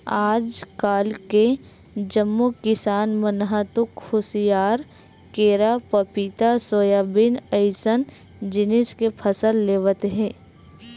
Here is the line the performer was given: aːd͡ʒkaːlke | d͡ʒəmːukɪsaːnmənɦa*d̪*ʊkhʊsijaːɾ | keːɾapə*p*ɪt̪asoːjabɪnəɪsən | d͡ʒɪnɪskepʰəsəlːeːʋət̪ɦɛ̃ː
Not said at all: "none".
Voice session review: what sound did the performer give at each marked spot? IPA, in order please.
t̪, p

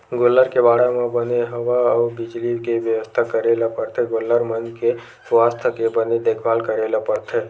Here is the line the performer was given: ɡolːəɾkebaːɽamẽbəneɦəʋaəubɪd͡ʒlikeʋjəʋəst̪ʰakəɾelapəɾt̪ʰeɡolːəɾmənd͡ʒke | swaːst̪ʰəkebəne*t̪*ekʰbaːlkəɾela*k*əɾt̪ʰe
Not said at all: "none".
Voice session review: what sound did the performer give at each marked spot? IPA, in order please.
d̪, p

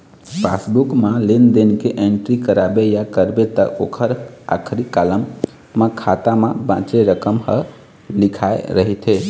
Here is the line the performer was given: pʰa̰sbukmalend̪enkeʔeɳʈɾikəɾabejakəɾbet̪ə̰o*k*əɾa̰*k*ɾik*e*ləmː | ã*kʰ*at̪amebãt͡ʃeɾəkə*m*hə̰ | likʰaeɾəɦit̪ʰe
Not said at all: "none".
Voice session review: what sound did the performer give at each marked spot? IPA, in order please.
kʰ, kʰ, a, kʰ, m

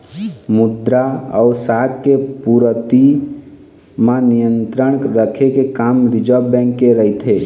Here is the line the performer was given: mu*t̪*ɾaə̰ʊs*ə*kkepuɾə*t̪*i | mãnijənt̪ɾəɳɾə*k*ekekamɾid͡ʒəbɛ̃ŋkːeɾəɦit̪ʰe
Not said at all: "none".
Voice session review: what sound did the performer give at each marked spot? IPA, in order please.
d̪, a, t̪, kʰ

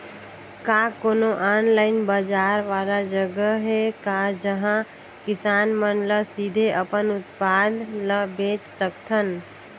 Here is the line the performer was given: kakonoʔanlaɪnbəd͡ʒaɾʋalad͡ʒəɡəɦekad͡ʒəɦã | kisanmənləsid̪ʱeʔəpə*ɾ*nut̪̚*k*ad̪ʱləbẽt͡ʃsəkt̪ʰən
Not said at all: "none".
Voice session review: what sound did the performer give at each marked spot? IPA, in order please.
none, p

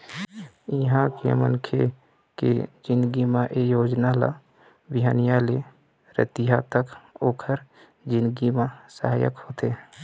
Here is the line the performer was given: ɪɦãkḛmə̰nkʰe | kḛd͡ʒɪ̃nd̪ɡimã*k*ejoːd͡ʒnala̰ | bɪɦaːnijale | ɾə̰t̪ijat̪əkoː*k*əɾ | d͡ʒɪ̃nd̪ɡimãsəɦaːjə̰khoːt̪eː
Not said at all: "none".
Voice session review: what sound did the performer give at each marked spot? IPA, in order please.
ʔ, kʰ

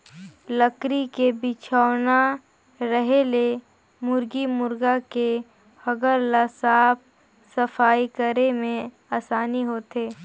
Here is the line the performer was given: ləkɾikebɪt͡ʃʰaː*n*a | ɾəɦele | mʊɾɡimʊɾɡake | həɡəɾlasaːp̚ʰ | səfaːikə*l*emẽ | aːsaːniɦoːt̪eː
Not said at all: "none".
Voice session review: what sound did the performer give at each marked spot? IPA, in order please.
n, ɾ

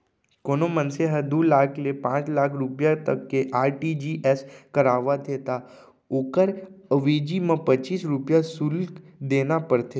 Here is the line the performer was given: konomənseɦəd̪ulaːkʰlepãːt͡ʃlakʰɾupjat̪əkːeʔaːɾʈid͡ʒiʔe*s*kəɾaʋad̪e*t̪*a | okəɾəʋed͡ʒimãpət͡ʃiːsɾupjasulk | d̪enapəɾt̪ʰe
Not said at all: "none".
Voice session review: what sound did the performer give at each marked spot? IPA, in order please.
s, t̪

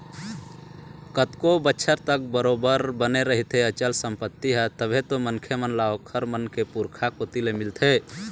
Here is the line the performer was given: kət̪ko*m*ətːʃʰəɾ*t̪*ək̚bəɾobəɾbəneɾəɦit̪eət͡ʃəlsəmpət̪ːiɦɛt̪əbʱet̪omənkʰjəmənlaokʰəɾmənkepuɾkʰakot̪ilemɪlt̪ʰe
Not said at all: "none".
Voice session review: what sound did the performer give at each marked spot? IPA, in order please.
b, t̪

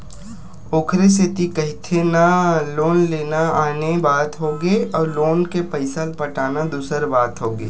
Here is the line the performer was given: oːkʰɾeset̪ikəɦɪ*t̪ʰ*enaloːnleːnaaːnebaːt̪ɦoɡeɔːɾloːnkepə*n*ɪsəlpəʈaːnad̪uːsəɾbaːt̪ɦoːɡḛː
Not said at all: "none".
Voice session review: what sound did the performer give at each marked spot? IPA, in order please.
t̪ʰ, none

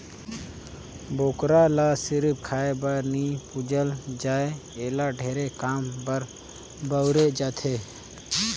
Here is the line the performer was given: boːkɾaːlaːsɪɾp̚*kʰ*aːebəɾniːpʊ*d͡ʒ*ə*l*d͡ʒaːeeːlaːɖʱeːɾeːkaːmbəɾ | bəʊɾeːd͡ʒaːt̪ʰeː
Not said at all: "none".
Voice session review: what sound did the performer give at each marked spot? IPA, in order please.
kʰ, d͡ʒ, l

